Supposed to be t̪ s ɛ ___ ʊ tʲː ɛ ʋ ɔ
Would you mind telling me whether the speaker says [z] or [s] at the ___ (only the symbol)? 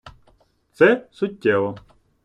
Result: s